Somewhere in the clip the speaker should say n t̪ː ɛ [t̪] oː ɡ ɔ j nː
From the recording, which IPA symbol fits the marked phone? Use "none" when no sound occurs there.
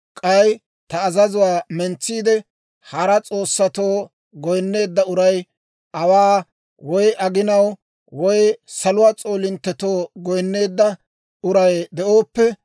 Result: t̪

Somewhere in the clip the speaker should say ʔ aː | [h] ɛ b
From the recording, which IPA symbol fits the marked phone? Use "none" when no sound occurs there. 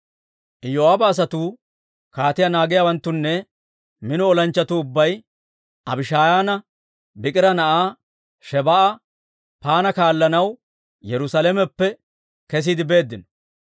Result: ʃ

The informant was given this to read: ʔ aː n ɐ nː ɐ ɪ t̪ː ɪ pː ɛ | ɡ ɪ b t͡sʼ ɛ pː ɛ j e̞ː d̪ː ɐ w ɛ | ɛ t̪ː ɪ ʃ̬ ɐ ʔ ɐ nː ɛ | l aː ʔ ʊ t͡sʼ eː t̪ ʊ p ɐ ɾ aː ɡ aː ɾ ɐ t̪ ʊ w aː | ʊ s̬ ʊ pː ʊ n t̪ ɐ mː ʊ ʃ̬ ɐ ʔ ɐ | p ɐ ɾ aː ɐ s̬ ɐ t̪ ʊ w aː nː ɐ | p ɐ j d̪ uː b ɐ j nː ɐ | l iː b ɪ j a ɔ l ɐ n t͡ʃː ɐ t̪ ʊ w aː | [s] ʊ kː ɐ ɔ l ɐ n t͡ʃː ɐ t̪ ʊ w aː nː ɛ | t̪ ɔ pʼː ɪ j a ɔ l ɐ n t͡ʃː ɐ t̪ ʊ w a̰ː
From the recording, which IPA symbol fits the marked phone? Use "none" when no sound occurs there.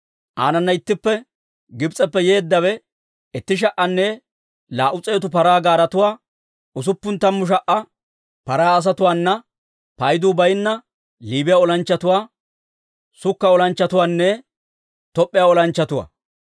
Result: s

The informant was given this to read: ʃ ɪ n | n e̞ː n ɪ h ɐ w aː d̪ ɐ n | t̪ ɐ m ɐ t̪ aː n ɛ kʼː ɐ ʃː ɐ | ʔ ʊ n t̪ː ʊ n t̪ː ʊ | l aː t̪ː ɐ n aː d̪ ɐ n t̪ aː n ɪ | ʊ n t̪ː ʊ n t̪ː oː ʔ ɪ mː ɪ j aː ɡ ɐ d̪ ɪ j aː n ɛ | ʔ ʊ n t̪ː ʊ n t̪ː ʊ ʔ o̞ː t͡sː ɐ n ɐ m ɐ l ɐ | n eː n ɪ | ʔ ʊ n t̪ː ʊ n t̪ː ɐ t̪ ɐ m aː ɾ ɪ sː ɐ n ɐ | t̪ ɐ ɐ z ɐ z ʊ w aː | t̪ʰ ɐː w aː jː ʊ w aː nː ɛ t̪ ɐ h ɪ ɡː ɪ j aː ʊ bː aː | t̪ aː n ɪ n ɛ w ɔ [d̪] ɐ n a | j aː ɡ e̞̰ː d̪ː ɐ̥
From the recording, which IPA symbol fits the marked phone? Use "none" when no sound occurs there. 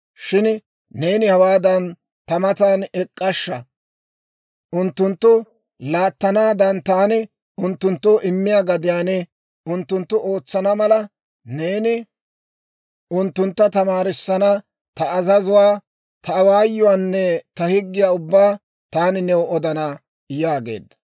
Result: d̪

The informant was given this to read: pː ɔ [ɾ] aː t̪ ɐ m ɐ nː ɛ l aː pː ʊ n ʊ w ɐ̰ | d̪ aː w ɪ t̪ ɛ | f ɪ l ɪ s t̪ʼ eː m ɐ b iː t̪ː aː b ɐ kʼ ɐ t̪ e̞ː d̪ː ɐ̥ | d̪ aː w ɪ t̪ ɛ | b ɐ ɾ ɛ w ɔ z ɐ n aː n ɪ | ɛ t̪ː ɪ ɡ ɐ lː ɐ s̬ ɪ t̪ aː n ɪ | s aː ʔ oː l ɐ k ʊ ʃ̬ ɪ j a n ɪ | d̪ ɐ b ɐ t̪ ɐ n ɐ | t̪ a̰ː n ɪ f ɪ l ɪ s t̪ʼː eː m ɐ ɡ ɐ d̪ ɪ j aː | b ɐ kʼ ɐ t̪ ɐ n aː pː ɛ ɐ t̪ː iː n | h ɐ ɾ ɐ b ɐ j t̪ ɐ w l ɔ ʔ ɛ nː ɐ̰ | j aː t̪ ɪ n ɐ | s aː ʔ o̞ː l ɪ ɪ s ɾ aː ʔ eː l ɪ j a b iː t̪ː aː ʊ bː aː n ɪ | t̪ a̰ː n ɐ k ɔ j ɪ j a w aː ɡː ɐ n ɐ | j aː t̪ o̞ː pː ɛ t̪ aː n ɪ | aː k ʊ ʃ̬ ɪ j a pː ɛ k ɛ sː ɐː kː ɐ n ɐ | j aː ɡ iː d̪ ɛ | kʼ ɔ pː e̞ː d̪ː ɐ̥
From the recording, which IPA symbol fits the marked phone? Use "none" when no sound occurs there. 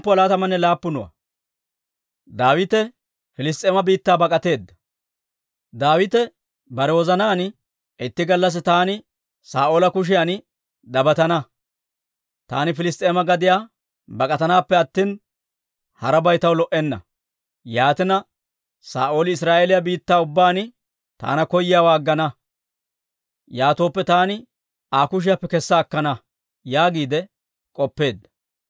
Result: l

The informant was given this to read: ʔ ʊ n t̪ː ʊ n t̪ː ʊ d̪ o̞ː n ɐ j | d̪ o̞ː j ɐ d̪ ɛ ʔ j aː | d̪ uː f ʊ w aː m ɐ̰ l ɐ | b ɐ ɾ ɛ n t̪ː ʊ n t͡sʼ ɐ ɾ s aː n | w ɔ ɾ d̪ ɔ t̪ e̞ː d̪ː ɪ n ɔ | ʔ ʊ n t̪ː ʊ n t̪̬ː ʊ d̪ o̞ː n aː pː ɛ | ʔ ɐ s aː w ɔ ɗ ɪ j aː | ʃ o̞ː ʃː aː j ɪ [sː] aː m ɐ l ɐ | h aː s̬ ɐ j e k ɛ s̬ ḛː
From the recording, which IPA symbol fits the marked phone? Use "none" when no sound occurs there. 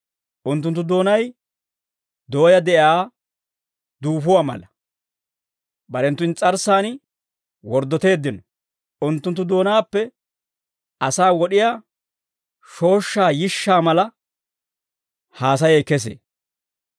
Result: ʃː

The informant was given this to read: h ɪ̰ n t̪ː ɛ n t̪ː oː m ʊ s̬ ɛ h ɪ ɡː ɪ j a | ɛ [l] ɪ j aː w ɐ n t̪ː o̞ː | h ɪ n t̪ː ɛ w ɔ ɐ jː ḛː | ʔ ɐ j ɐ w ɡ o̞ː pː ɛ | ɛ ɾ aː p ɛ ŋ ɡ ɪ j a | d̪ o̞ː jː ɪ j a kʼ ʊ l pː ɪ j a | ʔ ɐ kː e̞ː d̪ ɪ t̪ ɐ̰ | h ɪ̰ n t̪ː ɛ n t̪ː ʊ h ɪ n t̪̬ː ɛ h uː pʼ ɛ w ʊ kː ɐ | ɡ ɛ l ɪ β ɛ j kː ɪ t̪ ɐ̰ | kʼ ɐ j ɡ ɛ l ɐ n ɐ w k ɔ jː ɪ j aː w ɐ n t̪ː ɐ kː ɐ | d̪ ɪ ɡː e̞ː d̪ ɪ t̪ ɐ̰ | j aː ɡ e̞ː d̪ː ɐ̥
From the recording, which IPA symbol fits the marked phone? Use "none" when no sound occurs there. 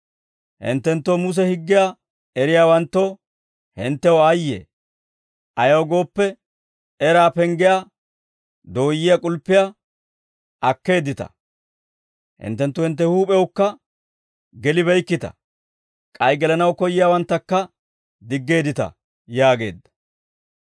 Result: ɾ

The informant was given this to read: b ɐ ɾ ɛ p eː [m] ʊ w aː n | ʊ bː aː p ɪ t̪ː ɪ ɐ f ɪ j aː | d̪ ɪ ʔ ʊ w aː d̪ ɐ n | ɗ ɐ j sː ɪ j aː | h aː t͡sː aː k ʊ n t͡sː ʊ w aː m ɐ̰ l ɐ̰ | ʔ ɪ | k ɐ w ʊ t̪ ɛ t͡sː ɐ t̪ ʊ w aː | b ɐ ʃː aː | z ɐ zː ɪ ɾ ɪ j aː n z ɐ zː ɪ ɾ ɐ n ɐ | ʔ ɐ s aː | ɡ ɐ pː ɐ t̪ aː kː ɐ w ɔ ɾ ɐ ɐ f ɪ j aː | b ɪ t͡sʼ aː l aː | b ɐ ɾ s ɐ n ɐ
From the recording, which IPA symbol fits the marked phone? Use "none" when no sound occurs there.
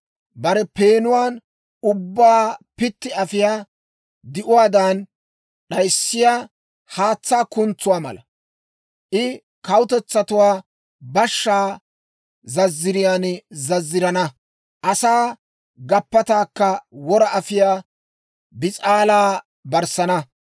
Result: n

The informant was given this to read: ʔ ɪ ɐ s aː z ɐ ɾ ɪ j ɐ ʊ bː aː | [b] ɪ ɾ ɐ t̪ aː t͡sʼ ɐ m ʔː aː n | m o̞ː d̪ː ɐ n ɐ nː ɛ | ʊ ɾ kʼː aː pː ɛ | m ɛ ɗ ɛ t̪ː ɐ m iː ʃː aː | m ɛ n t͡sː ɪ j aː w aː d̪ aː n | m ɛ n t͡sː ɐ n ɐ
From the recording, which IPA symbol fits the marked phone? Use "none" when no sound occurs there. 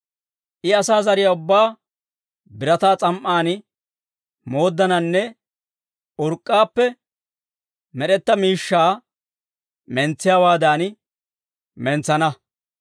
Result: b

